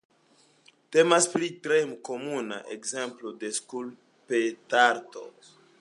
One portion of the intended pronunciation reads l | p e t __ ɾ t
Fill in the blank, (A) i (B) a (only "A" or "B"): B